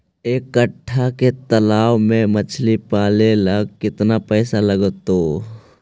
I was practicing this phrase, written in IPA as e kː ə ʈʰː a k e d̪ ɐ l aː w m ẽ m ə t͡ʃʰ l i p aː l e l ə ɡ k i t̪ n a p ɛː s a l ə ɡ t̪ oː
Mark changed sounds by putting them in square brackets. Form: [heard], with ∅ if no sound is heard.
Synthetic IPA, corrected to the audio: e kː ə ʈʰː a k e [t̪] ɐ l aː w m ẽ m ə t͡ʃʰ l i p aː l e l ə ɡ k [ɪ] t̪ n a p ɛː s a l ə ɡ t̪ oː